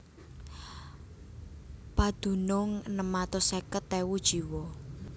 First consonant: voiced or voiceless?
voiceless